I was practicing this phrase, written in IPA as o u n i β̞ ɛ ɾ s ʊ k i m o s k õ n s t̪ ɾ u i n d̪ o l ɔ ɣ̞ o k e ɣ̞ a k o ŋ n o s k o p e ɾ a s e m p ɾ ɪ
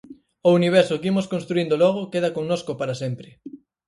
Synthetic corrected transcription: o u n i β̞ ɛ ɾ s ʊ k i m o s k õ n s t̪ ɾ u i n d̪ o l ɔ ɣ̞ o k e ð̞ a k o ŋ n o s k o p a ɾ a s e m p ɾ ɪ